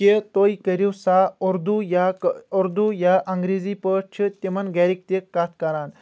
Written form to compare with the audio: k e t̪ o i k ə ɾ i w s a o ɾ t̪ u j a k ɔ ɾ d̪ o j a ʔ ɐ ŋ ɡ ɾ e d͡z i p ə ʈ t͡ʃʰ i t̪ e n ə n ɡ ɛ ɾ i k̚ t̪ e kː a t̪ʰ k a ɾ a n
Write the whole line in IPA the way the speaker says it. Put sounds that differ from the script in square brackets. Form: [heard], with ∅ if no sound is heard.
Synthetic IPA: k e t̪ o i k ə ɾ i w s a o ɾ [d̪] u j a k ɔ ɾ d̪ [u] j a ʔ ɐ ŋ ɡ ɾ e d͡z i p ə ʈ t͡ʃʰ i t̪ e [m] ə n ɡ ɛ ɾ i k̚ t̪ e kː a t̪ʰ k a ɾ a n